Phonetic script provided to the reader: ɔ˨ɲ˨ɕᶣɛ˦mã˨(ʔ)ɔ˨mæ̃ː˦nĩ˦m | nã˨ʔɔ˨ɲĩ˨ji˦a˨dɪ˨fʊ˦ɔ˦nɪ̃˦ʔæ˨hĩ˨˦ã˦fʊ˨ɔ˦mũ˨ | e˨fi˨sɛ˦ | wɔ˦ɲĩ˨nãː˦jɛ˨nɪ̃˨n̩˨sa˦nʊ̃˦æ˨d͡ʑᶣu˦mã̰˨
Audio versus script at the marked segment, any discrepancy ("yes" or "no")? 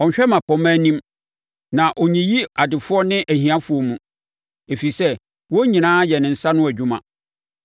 yes